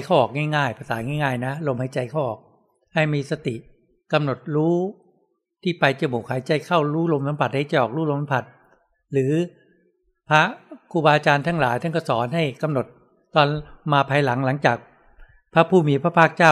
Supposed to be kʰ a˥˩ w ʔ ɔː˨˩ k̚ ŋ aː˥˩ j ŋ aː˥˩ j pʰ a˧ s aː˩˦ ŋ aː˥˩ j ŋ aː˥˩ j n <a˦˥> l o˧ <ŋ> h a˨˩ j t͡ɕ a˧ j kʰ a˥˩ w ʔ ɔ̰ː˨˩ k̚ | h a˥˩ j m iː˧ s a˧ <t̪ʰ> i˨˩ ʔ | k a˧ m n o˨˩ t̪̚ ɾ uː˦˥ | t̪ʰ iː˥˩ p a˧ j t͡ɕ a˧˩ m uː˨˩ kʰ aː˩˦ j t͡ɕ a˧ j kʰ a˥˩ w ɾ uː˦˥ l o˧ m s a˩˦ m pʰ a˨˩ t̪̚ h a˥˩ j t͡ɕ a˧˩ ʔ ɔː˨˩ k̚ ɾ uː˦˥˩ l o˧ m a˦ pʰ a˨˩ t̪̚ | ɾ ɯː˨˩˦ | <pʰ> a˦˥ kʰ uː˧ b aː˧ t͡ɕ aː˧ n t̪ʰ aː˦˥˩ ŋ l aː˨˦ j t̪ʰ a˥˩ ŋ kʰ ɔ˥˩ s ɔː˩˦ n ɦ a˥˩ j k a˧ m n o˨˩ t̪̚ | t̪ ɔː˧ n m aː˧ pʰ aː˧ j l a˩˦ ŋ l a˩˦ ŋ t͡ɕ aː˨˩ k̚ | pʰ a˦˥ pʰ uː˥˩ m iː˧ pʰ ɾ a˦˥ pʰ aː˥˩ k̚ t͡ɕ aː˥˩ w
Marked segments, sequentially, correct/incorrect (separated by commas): correct, incorrect, incorrect, correct